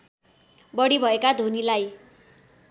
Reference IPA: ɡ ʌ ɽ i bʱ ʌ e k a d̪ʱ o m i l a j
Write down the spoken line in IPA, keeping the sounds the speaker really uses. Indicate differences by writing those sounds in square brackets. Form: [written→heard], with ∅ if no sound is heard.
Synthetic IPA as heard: [ɡ→b] ʌ ɽ i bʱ ʌ e k a d̪ʱ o [m→n] i l a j